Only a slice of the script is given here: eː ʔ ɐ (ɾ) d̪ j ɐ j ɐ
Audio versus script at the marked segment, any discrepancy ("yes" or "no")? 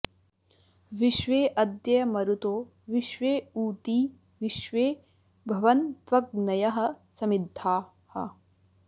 yes